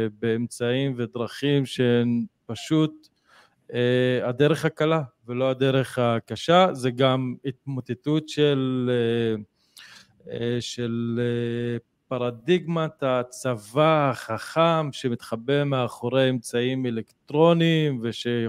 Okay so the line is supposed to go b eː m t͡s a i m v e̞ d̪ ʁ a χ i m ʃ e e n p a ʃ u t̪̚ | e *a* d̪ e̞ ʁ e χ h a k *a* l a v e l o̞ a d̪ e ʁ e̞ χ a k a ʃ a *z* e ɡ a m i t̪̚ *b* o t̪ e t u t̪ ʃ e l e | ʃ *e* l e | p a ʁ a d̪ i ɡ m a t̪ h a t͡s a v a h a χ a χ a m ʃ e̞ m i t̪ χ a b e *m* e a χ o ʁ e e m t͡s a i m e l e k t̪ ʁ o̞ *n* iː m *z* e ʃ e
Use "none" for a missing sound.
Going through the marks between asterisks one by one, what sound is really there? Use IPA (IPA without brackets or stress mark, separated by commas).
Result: a, a, z, m, e, m, n, v